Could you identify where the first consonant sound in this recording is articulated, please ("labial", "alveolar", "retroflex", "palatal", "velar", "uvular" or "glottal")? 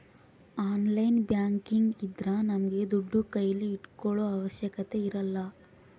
alveolar